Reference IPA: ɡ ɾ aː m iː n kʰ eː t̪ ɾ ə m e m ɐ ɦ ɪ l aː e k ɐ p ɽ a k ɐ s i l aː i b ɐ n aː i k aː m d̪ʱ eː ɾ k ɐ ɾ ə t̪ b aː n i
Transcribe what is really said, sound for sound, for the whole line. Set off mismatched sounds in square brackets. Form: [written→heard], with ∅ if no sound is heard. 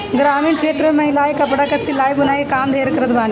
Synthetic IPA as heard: ɡ ɾ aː m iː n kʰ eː t̪ ɾ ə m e m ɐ ɦ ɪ l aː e k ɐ p ɽ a k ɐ s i l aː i b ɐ n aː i k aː m d̪ʱ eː ɾ k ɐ ɾ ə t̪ b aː n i